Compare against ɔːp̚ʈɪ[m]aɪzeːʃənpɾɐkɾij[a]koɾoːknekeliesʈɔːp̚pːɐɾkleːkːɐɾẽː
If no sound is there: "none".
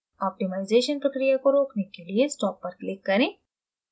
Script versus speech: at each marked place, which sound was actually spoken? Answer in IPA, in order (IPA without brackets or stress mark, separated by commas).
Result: m, a